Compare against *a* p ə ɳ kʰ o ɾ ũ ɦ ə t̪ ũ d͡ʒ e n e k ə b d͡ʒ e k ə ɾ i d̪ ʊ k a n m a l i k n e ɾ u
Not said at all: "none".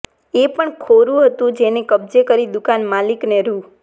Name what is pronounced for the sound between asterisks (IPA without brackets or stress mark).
e